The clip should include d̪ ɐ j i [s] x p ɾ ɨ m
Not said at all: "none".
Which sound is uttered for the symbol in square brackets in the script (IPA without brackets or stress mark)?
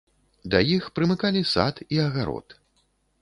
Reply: none